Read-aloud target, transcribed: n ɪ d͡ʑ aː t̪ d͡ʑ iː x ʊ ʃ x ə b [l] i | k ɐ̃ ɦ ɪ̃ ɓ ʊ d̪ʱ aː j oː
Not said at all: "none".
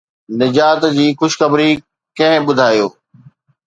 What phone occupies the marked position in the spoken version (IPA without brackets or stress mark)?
ɾ